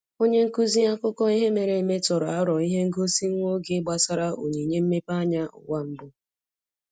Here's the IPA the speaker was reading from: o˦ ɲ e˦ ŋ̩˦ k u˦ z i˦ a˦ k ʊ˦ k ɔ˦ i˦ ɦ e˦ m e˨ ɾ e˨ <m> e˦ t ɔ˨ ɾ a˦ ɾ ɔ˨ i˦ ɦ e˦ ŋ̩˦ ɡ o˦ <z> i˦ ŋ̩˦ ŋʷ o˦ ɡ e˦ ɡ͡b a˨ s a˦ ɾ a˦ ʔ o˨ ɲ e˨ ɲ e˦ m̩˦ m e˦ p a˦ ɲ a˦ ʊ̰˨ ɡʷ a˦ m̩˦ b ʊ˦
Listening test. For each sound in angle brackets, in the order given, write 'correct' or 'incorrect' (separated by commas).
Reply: correct, incorrect